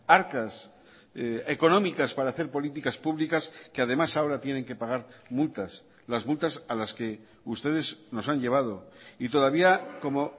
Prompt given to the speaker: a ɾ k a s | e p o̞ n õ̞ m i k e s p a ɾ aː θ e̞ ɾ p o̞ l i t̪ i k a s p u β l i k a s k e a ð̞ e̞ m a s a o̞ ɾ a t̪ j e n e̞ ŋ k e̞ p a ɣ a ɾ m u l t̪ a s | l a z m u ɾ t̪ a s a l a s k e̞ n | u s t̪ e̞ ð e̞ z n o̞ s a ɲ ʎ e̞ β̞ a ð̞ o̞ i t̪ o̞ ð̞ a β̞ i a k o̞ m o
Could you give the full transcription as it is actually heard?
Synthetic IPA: a ɾ k a s | e k o̞ n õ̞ m i k a s p a ɾ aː θ e̞ ɾ p o̞ l i t̪ i k a s p u β l i k a s k e a ð̞ e̞ m a s a o̞ ɾ a t̪ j e n e̞ ŋ k e̞ p a ɣ a ɾ m u l t̪ a s | l a z m u l t̪ a s a l a s k e̞ | u s t̪ e̞ ð e̞ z n o̞ s a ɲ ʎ e̞ β̞ a ð̞ o̞ i t̪ o̞ ð̞ a β̞ i a k o̞ m o

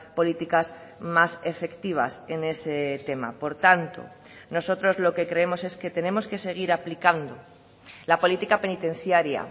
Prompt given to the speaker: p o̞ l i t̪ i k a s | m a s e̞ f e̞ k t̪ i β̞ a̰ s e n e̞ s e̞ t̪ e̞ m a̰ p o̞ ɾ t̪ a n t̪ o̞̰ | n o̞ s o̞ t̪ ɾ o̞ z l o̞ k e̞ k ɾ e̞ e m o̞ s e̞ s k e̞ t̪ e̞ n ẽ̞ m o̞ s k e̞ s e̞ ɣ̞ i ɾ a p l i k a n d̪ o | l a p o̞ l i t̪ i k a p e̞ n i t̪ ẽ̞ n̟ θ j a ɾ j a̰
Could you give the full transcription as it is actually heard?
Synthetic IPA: p o̞ l i t̪ i k a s | m a s e̞ f e̞ k t̪ i β̞ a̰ s e n e̞ s e̞ t̪ e̞ m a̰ p o̞ ɾ t̪ a n t̪ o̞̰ | n o̞ s o̞ t̪ ɾ o̞ z l o̞ k e̞ k ɾ e̞ e m o̞ s e̞ s k e̞ t̪ e̞ n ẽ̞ m o̞ s k e̞ s e̞ ɣ̞ i ɾ a p l i k a n d̪ o | l a p o̞ l i t̪ i k a p e̞ n i t̪ e̞ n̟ θ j a ɾ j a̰

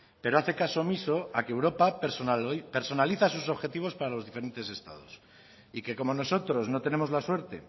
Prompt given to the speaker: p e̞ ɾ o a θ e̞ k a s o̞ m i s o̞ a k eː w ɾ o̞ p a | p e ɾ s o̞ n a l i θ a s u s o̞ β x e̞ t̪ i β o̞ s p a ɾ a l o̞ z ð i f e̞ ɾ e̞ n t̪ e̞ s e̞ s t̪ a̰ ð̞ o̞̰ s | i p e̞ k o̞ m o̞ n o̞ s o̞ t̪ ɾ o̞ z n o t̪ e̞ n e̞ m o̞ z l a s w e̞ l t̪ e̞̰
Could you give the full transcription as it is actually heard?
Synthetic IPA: p e̞ ɾ o a θ e̞ k a s o̞ m i s o̞ a k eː w ɾ o̞ p a | p e ɾ s o̞ n a l i θ a s u s o̞ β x e̞ t̪ i β o̞ s p a ɾ a l o̞ z ð i f e̞ ɾ e̞ n t̪ e̞ s e̞ s t̪ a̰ ð̞ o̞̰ s | i k e̞ k o̞ m o̞ n o̞ s o̞ t̪ ɾ o̞ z n o t̪ e̞ n e̞ m o̞ z l a s w e̞ ɾ t̪ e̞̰

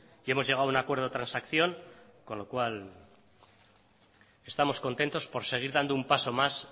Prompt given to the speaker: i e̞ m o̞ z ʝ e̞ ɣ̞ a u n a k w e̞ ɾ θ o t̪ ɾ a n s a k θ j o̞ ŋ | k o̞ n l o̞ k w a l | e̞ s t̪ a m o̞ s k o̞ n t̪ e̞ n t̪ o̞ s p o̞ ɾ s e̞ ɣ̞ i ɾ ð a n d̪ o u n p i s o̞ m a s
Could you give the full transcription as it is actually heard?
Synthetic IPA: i e̞ m o̞ z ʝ e̞ ɣ̞ a u n a k w e̞ ɾ ð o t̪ ɾ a n s a k θ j o̞ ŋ | k o̞ n l o̞ k w a l | e̞ s t̪ a m o̞ s k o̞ n t̪ e̞ n t̪ o̞ s p o̞ ɾ s e̞ ɣ̞ i ɾ ð a n d̪ o u m p a s o̞ m a s

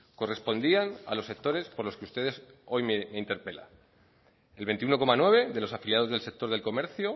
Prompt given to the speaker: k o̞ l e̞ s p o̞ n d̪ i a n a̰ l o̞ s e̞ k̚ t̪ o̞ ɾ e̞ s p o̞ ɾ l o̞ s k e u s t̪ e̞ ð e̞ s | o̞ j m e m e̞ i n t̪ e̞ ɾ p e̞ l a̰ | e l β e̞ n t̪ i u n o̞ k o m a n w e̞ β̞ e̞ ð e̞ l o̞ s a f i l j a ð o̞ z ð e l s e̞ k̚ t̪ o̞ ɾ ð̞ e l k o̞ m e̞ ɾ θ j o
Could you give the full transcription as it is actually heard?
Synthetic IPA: k o̞ r e̞ s p o̞ n d̪ i a n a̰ l o̞ s e̞ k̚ t̪ o̞ ɾ e̞ s p o̞ ɾ l o̞ s k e u s t̪ e̞ ð e̞ s | o̞ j m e m e̞ i n t̪ e̞ ɾ p e̞ l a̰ | e l β e̞ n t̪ i u n o̞ k o m a n w e̞ β̞ e̞ ð e̞ l o̞ s a f i l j a ð o̞ z ð e l s e̞ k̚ t̪ o̞ ɾ ð̞ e l k o̞ m e̞ ɾ θ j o

